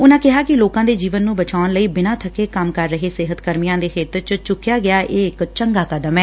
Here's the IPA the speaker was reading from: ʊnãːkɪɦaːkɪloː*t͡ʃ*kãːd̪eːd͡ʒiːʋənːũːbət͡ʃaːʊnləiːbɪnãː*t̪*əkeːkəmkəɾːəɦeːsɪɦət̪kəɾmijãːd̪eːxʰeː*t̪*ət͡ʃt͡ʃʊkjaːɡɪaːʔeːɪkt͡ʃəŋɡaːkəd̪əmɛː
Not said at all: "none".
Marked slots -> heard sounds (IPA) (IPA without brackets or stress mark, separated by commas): none, t̪ʰ, t̪